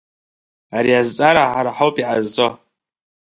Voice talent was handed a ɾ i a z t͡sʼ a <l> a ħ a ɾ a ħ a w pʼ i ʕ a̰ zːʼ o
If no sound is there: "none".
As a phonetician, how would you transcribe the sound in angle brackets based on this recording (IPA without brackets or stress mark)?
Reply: ɾ